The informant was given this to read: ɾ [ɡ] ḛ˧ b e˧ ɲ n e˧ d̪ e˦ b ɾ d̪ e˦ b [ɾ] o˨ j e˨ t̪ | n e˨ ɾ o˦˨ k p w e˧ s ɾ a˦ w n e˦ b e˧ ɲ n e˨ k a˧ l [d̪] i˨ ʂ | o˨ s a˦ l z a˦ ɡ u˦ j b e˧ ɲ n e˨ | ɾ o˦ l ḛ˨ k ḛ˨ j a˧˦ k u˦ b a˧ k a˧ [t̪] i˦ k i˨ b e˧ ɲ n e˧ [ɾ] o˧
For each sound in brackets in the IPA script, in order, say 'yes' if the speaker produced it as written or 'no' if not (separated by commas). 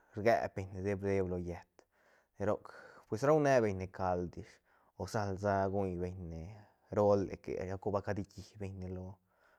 yes, no, yes, no, no